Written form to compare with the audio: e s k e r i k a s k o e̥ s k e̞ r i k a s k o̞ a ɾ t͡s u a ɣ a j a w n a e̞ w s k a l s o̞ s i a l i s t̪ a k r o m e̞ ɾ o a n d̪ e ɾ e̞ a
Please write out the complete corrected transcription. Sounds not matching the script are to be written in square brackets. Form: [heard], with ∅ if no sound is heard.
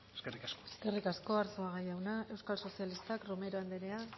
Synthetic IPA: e s k e r i k a s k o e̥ s k e̞ r i k a s k o̞ a ɾ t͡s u a ɣ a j a w n a e̞ w s k a l s o̞ s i a l i s t̪ a k r o m e̞ ɾ o a n d̪ e ɾ e̞ a